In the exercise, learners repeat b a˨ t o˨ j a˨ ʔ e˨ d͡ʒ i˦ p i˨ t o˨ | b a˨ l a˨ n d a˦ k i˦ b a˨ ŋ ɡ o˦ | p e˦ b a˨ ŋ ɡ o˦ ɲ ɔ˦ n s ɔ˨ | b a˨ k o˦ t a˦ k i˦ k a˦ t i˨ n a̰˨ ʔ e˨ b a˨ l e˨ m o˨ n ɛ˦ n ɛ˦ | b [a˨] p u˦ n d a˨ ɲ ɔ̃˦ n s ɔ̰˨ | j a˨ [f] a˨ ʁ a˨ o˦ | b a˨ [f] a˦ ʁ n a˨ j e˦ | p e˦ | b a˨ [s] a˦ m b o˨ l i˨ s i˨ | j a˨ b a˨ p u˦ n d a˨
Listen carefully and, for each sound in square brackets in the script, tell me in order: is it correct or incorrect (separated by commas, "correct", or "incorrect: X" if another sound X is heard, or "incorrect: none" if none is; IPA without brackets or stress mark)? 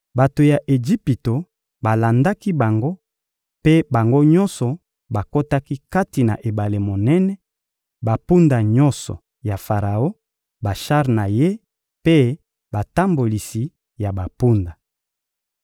correct, correct, incorrect: ʃ, incorrect: t